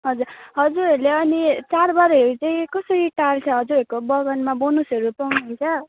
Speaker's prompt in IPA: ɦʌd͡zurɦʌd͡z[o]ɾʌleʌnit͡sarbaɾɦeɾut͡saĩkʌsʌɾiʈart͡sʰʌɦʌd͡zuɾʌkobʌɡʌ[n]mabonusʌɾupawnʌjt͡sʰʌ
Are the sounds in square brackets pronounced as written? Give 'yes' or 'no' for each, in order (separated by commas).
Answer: no, yes